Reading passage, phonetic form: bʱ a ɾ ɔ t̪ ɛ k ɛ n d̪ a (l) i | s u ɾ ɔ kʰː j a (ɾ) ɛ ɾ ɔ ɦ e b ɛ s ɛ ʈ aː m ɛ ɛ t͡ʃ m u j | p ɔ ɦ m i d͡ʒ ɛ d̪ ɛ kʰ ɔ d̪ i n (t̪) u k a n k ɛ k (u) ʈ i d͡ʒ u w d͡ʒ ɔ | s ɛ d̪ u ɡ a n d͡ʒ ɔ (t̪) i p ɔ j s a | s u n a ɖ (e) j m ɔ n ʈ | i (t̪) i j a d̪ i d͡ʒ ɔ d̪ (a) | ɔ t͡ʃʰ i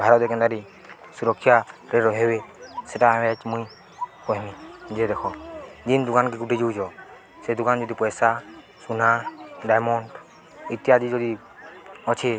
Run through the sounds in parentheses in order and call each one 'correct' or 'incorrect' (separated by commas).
incorrect, correct, incorrect, correct, incorrect, incorrect, correct, incorrect